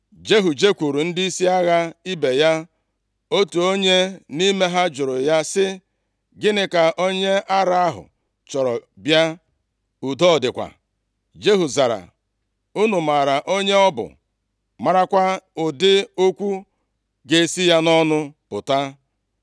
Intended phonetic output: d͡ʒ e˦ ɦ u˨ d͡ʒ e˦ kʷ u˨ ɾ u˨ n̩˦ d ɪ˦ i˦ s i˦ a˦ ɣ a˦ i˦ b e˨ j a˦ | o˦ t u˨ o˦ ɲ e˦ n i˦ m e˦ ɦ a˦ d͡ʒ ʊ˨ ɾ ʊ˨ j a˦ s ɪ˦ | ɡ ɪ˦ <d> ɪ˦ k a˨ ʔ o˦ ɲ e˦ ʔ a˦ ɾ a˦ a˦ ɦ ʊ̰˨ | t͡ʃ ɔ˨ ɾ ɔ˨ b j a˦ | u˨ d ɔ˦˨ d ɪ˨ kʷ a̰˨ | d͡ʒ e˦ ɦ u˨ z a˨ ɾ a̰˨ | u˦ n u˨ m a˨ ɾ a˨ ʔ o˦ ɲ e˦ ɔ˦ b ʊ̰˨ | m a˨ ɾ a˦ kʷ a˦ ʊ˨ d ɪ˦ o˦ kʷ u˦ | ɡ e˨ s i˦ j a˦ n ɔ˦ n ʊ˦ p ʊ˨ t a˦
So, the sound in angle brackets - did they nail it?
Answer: no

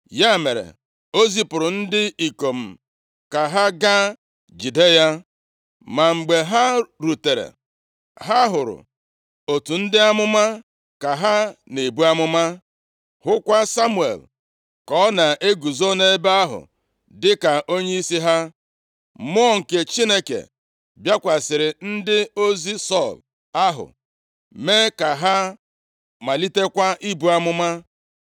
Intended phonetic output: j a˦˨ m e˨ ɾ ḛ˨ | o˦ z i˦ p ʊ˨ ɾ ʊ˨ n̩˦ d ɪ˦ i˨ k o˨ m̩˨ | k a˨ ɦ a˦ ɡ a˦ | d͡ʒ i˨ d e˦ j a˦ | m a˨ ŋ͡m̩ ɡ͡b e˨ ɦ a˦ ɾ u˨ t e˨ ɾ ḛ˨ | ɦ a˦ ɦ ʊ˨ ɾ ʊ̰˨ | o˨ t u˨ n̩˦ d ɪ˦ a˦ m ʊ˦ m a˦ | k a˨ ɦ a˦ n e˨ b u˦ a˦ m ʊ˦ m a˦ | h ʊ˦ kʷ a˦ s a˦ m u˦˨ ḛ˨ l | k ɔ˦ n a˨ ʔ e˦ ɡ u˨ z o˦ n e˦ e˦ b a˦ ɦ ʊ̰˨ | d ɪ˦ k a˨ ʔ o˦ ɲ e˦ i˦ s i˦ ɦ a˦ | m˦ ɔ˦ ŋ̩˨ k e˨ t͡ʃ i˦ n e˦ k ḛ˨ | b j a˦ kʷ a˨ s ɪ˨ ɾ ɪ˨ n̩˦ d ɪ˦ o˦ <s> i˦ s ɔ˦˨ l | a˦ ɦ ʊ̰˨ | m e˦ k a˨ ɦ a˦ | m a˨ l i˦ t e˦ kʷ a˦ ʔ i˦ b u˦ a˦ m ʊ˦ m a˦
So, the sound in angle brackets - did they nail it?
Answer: no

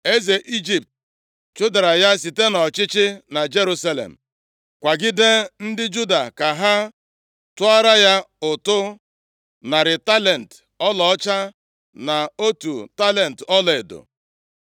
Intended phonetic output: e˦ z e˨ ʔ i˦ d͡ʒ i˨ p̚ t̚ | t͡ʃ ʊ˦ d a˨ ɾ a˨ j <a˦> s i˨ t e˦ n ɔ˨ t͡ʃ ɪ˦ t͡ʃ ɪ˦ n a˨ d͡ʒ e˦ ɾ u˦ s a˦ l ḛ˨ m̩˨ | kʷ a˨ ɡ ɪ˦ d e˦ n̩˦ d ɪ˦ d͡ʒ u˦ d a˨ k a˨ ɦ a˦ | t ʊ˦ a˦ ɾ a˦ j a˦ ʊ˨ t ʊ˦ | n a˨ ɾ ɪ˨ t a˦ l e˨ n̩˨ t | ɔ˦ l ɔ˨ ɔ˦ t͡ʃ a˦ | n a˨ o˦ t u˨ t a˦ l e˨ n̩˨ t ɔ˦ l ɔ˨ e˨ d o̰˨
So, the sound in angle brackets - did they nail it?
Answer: yes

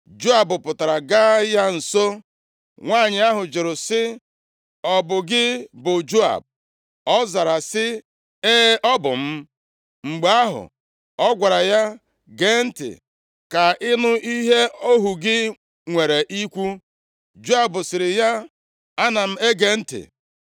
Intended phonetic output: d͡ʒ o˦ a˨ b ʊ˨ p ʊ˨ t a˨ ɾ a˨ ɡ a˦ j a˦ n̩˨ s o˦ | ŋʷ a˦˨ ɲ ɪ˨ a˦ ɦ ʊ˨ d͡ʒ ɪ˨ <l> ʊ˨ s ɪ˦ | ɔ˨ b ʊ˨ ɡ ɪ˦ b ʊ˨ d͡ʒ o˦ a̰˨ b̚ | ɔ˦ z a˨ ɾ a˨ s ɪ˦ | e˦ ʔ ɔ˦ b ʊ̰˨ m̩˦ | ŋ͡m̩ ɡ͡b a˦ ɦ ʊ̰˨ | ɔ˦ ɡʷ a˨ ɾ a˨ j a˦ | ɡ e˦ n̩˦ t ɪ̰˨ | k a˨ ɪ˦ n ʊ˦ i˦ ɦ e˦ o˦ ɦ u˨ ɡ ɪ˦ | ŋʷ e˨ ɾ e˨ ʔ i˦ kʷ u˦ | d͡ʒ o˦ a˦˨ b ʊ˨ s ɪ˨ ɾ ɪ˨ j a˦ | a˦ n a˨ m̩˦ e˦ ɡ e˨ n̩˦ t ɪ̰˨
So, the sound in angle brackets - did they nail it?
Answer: no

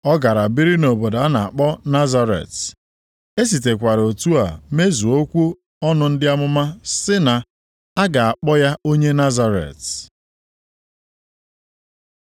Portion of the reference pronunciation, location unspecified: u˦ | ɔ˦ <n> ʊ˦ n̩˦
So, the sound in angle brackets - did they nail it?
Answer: yes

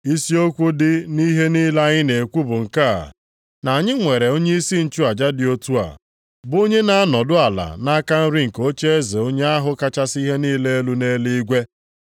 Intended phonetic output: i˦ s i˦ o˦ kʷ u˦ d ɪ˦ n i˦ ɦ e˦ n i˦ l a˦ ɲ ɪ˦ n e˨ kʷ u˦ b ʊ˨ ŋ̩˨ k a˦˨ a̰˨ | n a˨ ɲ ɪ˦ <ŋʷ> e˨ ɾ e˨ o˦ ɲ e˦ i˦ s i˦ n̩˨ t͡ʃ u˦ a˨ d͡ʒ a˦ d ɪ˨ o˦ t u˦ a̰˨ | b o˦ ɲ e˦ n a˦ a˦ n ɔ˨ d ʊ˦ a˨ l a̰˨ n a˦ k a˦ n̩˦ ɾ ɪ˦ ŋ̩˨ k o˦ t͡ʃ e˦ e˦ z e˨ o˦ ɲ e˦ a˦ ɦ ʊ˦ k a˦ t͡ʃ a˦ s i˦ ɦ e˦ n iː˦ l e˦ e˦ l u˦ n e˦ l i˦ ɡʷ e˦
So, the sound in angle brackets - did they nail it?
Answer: yes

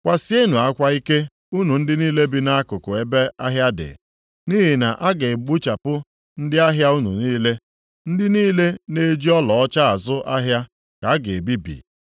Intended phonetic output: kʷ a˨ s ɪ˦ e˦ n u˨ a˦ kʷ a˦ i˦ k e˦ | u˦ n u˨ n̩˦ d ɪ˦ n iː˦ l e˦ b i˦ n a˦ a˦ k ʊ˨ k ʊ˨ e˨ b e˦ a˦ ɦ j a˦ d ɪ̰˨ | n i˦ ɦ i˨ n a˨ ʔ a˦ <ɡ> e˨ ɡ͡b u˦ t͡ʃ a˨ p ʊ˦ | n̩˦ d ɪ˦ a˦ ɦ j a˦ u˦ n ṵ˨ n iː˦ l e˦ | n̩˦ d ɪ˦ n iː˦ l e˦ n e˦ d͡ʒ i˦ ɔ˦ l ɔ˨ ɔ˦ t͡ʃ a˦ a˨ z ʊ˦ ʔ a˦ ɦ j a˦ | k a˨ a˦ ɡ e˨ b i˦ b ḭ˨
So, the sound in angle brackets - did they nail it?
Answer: yes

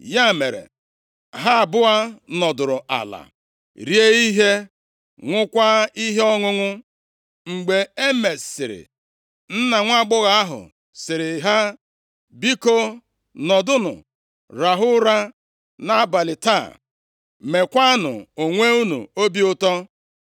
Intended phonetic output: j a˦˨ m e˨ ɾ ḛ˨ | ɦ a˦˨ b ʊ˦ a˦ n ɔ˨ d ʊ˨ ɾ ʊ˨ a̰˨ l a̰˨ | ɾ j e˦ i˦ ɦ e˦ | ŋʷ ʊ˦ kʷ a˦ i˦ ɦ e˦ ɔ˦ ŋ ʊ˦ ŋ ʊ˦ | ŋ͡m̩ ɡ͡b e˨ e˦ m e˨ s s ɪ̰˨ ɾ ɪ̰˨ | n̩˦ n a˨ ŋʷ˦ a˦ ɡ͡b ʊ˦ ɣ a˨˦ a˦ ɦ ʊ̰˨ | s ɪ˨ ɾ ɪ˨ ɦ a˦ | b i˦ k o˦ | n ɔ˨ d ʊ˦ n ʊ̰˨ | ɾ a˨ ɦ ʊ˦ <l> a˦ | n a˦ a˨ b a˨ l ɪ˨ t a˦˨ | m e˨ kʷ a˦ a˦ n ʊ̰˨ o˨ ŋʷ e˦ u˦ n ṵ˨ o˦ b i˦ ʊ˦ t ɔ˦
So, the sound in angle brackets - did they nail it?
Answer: no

